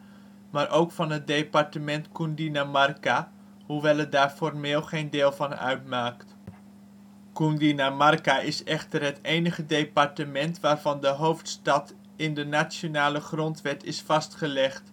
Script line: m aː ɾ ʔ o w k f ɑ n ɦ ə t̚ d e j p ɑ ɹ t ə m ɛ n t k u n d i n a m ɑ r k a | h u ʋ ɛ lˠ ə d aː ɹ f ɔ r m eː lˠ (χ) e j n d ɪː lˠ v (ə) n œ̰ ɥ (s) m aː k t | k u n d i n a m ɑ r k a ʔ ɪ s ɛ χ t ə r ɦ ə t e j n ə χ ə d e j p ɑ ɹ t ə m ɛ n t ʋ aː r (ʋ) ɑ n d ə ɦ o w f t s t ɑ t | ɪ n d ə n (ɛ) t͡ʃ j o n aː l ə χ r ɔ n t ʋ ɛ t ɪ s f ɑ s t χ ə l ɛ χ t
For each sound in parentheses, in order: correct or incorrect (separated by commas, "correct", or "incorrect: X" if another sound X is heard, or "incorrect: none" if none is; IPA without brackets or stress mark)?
correct, incorrect: ɑ, incorrect: t, incorrect: v, incorrect: a